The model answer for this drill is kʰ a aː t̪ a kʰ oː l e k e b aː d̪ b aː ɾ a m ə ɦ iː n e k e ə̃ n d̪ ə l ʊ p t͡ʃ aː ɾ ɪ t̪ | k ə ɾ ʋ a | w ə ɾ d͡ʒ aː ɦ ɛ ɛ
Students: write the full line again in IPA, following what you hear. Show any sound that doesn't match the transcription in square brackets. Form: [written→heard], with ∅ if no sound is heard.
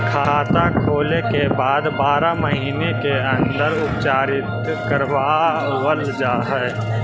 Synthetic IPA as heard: kʰ a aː t̪ a kʰ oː l e k e b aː d̪ b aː ɾ a m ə ɦ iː n e k e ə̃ n d̪ ə [l→ɾ] ʊ p t͡ʃ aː ɾ ɪ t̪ | k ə ɾ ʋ a | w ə [ɾ→l] d͡ʒ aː ɦ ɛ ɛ